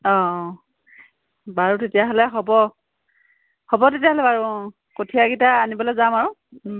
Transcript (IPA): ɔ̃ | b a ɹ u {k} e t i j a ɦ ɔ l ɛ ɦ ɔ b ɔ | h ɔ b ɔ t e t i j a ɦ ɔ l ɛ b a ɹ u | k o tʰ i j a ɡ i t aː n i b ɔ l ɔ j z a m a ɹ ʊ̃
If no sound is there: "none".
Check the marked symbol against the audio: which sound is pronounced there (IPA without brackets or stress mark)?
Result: t